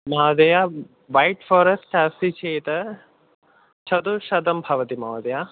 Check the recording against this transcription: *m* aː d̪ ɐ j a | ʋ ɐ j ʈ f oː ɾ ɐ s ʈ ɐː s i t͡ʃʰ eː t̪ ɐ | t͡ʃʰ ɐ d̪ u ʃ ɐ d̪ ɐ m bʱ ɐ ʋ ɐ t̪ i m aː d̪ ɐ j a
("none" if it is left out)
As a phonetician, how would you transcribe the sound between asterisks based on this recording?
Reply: m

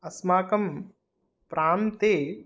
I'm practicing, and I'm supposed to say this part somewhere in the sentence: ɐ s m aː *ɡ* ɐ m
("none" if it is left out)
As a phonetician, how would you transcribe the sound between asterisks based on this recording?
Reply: k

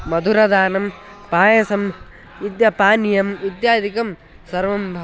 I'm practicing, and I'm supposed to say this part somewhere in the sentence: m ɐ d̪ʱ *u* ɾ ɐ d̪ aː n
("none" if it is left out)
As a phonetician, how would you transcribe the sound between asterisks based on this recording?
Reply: u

